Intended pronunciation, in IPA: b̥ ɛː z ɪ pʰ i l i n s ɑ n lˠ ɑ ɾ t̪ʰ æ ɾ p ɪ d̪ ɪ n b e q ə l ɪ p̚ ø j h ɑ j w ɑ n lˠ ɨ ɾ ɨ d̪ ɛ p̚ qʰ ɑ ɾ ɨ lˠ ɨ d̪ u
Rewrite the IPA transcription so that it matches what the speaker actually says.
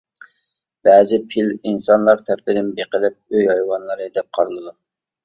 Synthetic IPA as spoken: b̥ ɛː z ɪ pʰ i l i n s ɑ n lˠ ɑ ɾ t̪ʰ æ ɾ p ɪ d̪ ɪ n b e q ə l ɪ p̚ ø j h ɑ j w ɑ n lˠ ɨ ɾ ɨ d̪ ɛ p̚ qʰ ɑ ɾ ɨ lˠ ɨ d̪ u